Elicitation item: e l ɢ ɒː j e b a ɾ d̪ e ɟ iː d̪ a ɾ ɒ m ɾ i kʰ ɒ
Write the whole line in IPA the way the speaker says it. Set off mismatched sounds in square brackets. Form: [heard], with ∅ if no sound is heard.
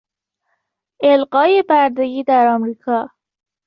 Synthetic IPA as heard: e l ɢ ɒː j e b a ɾ d̪ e [ɡ] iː d̪ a ɾ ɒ m ɾ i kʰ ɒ